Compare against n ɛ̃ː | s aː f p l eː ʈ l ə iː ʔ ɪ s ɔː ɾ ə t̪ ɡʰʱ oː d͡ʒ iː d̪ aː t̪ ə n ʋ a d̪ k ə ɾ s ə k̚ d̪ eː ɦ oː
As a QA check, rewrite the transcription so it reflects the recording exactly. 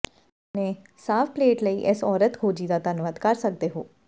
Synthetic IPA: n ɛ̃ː | s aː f p l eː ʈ l ə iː ʔ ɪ s ɔː ɾ ə t̪ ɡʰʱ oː d͡ʒ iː d̪ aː t̪ ə n ʋ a d̪ k ə ɾ s ə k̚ d̪ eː ɦ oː